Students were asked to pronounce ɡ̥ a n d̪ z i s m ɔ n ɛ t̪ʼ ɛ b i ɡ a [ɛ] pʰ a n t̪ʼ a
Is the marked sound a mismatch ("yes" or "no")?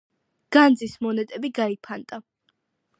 yes